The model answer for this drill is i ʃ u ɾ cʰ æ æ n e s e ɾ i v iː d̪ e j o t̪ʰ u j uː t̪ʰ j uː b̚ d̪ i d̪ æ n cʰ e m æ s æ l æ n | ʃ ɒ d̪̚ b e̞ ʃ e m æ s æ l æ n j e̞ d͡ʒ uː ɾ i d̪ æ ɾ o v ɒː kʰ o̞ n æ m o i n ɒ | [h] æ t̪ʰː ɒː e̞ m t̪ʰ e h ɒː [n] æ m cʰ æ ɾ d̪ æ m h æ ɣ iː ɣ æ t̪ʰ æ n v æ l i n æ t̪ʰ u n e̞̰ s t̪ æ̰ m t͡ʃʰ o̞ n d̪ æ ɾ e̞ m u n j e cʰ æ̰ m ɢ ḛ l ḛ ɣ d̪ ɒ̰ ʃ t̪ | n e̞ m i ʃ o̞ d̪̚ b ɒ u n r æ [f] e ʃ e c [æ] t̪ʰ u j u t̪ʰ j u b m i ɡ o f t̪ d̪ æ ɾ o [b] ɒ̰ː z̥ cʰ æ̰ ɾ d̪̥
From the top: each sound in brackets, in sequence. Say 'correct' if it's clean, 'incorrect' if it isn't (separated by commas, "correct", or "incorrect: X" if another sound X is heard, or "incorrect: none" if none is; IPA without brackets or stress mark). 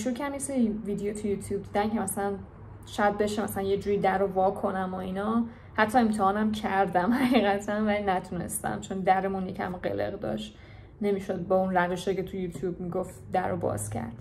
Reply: correct, correct, incorrect: v, incorrect: e, correct